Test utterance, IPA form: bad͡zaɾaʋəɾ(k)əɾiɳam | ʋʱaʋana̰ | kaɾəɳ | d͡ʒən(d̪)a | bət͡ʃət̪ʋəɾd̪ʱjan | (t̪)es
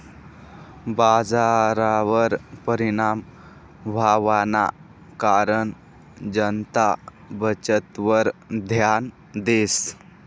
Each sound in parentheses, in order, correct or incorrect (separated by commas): incorrect, incorrect, incorrect